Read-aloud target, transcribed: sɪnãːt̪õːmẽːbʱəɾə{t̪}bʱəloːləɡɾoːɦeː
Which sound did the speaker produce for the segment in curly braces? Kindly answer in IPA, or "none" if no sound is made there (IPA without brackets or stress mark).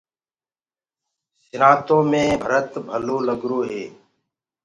t̪